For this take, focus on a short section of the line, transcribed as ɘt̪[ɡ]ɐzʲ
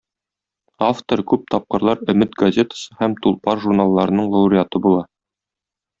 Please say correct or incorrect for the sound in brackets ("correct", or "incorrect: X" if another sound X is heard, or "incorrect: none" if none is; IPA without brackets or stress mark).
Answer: correct